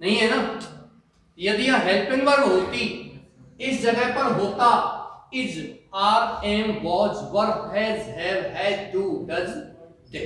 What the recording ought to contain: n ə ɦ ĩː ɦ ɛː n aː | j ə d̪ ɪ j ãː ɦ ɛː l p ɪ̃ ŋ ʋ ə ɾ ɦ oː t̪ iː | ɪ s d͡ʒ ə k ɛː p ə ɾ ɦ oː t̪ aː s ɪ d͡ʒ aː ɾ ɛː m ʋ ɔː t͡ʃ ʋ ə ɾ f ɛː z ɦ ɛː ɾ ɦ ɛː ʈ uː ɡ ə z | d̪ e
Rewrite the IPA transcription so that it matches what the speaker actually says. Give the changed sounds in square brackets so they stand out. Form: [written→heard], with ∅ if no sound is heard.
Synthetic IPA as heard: n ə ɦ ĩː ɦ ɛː n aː | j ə d̪ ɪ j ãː ɦ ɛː l p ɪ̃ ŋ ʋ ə ɾ ɦ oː t̪ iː | ɪ s d͡ʒ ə [k→ɡ] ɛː p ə ɾ ɦ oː t̪ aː [s→∅] ɪ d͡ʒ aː ɾ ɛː m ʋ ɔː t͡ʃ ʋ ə ɾ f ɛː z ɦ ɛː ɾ ɦ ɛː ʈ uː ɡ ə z | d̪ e